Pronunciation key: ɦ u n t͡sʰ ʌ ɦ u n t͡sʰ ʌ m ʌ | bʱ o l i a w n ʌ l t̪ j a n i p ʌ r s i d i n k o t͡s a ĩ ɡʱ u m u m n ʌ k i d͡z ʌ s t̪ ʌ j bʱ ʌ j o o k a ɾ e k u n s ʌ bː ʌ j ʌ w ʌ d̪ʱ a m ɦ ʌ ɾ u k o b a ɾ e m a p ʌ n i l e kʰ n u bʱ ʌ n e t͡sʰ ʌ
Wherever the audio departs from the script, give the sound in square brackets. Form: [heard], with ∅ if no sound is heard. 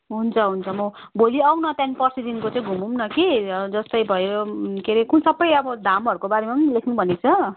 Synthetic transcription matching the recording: ɦ u n t͡sʰ ʌ ɦ u n t͡sʰ ʌ m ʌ | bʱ o l i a w n ʌ [∅] t̪ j a n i p ʌ r s i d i n k o t͡s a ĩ ɡʱ u m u m n ʌ k i d͡z ʌ s t̪ ʌ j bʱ ʌ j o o k [e] ɾ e k u n s ʌ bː ʌ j ʌ [b] ʌ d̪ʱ a m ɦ ʌ ɾ u k o b a ɾ e m a p ʌ n i l e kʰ n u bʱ ʌ n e t͡sʰ ʌ